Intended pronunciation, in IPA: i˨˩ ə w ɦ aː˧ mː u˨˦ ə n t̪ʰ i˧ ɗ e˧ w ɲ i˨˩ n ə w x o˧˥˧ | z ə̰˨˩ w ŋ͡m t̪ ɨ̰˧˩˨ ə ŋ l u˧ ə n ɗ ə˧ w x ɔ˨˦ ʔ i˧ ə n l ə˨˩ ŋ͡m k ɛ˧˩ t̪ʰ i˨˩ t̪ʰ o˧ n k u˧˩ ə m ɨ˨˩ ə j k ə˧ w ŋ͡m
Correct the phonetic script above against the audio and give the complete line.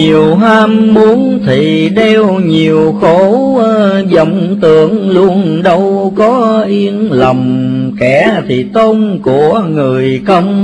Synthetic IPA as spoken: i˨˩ ə w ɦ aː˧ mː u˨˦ ə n t̪ʰ i˨˩ ɗ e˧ w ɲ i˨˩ ə w x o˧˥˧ | z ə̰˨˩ w ŋ͡m t̪ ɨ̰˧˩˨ ə ŋ l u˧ ə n ɗ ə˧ w k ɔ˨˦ ʔ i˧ ə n l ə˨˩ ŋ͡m k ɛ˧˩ t̪ʰ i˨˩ t̪ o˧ n k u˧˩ ə ŋ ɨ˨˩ ə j k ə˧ w ŋ͡m

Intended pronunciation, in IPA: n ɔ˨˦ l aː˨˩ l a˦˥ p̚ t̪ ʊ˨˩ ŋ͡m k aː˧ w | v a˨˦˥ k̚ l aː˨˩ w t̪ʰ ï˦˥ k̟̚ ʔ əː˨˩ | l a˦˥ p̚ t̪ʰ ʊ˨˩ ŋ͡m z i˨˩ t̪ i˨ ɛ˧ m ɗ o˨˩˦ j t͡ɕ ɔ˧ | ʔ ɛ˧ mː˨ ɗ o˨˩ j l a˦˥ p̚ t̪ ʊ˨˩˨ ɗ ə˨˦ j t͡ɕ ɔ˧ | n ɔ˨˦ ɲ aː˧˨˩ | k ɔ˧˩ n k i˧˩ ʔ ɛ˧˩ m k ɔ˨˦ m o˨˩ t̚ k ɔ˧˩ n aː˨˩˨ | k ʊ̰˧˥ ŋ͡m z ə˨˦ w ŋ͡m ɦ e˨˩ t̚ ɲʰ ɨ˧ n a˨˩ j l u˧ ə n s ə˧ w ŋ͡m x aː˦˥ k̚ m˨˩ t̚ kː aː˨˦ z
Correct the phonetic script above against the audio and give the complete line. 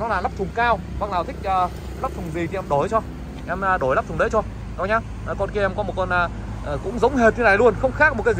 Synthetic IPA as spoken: n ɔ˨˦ l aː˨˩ l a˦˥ p̚ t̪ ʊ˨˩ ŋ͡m k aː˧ w | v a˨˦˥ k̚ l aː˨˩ w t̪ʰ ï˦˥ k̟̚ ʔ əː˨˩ | l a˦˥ p̚ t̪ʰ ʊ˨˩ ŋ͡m z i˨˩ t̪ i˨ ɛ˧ m ɗ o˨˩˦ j t͡ɕ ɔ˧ | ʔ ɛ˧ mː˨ ɗ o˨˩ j l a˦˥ p̚ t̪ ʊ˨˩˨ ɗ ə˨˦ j t͡ɕ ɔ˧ | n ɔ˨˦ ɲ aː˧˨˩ | k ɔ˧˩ n k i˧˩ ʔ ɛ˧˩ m k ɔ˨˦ m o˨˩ t̚ k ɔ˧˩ n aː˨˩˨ | k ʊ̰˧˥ ŋ͡m z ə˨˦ w ŋ͡m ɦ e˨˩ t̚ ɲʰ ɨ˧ n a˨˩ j l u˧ ə n x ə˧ w ŋ͡m x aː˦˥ k̚ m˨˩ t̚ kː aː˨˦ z

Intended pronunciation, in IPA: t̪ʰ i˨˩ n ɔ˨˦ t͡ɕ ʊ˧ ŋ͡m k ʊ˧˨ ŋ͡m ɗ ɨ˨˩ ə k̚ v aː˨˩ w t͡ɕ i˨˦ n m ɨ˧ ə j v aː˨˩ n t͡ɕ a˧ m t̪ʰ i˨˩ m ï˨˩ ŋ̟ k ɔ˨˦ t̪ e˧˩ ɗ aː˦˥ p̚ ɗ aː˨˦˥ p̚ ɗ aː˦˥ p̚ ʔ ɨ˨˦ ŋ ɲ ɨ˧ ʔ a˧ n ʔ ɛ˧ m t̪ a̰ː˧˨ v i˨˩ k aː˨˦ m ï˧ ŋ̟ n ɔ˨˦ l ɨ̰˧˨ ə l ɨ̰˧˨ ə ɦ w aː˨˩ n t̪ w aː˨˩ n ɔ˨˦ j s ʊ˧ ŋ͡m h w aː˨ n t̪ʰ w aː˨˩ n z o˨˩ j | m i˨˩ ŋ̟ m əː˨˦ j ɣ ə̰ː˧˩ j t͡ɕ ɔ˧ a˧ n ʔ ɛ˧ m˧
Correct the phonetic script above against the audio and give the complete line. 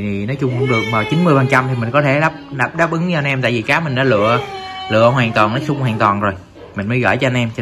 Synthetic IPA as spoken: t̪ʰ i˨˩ n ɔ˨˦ t͡ɕ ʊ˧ ŋ͡m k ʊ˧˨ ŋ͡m ɗ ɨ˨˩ ə k̚ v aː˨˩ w t͡ɕ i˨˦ n m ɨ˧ ə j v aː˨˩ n t͡ɕ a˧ m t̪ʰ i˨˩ m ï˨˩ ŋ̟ k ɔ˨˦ t̪ʰ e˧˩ ɗ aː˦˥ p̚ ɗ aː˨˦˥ p̚ ɗ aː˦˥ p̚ ʔ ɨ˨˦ ŋ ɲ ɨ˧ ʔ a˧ n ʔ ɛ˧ m t̪ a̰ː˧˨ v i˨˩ k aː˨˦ m ï˨˩ ŋ̟ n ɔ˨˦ l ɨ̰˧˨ ə l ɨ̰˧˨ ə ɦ w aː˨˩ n t̪ w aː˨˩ n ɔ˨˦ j s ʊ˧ ŋ͡m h w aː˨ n t̪ w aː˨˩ n z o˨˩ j | m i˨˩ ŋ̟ m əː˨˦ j ɣ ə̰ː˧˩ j t͡ɕ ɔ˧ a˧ n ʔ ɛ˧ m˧

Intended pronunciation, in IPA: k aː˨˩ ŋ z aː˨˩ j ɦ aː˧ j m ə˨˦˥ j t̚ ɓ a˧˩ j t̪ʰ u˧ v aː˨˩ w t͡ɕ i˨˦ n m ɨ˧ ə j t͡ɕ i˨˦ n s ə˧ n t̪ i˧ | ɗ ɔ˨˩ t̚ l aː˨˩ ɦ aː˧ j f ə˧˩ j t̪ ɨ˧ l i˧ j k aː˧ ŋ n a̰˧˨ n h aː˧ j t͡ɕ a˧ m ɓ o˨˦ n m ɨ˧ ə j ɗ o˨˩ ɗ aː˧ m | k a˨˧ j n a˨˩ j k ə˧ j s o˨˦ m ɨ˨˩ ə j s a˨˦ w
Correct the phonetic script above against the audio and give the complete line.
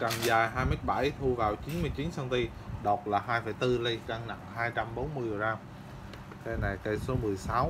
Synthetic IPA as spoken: k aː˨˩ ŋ z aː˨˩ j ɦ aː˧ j m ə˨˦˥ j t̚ ɓ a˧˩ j t̪ʰ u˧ v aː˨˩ w t͡ɕ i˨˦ n m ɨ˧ ə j t͡ɕ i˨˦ n s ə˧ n t̪ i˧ | ɗ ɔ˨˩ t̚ l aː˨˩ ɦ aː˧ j f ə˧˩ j t̪ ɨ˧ l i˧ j k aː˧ ŋ n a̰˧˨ ŋ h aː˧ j t͡ɕ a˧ m ɓ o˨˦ n m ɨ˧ ə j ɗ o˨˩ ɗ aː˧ m | k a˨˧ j n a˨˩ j k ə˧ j s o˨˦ m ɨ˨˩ ə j s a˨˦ w

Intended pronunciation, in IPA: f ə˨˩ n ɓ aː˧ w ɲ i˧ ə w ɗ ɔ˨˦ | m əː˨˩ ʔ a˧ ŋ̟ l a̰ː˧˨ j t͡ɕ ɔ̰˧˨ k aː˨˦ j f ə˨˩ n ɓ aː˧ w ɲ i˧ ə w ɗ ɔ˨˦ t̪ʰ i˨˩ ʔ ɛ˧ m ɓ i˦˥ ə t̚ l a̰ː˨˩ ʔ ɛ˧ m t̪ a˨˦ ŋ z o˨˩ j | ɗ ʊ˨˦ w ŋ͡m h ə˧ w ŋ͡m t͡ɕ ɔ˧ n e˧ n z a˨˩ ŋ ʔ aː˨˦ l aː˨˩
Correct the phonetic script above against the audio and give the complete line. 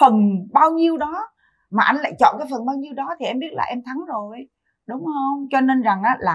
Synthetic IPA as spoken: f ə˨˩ n ɓ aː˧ w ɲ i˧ ə w ɗ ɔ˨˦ | m aː˨˩ ʔ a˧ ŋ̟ l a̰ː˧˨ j t͡ɕ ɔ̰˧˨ k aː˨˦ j f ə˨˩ n ɓ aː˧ w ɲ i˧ ə w ɗ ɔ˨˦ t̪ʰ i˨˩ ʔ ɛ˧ m ɓ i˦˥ ə t̚ l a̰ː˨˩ ʔ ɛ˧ m t̪ʰ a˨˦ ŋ z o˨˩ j | ɗ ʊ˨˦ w ŋ͡m h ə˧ w ŋ͡m t͡ɕ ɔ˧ n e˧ n z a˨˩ ŋ ʔ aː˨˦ l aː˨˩

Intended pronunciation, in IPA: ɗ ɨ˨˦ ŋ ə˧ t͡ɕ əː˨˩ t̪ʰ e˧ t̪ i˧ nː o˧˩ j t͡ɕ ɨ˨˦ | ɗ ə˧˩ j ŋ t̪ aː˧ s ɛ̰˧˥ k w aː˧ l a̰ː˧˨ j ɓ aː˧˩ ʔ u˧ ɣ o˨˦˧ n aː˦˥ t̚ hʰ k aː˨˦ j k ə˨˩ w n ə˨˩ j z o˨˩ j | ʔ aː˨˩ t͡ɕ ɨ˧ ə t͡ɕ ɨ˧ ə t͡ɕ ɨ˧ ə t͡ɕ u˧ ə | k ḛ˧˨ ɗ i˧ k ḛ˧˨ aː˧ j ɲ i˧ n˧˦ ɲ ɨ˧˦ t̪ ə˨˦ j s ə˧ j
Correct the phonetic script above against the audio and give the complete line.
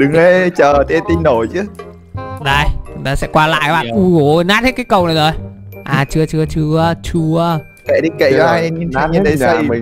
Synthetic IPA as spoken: ɗ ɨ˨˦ ŋ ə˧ t͡ɕ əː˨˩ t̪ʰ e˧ t̪ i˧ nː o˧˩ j t͡ɕ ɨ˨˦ | ɗ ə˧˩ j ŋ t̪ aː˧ s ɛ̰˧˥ k w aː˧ l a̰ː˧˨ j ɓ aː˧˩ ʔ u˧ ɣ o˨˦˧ n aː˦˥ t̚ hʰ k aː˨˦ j k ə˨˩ w n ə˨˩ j z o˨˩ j | ʔ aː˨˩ t͡ɕ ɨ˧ ə t͡ɕ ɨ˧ ə t͡ɕ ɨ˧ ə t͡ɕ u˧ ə | k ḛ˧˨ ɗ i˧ k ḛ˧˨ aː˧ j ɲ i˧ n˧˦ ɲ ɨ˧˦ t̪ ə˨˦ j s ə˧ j

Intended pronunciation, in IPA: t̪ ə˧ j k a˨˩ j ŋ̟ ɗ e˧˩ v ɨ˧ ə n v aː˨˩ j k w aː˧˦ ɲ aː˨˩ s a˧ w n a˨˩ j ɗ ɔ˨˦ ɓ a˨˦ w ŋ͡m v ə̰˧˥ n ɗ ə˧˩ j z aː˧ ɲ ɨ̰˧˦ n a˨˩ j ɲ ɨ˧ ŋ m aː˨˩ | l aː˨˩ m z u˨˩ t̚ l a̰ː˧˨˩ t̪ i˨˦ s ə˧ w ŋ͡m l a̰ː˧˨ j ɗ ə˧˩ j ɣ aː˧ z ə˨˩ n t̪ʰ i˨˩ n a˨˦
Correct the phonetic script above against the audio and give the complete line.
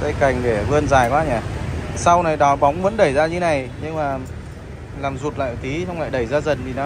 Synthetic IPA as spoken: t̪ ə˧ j k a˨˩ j ŋ̟ ɗ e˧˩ v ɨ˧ ə n z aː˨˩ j k w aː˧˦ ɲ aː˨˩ s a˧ w n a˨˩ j ɗ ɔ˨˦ ɓ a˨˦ w ŋ͡m v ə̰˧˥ n ɗ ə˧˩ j z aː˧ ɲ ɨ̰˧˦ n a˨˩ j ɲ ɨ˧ ŋ m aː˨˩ | l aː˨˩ m z u˨˩ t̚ l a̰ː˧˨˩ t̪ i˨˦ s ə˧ w ŋ͡m l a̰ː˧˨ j ɗ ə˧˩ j z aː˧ z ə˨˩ n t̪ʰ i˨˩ n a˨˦

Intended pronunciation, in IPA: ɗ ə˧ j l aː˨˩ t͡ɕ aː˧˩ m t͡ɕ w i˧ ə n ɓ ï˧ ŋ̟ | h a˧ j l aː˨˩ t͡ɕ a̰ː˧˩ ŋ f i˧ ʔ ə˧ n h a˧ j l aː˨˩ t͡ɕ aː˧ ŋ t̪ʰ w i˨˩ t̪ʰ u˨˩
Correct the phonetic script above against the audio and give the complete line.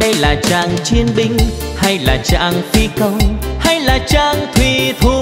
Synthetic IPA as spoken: ɗ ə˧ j l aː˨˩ t͡ɕ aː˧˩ ŋ t͡ɕ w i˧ ə n ɓ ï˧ ŋ̟ | h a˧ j l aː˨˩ t͡ɕ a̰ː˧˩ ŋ f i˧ k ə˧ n h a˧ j l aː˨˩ t͡ɕ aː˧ ŋ t̪ʰ w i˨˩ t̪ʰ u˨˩

